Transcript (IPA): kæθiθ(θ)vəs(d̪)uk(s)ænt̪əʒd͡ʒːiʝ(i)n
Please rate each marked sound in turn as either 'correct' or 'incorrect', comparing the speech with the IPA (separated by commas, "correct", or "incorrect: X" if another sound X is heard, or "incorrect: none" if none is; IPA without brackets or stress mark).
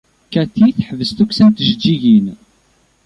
incorrect: ħ, incorrect: t̪, correct, correct